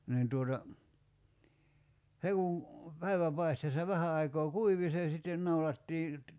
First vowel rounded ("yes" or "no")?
no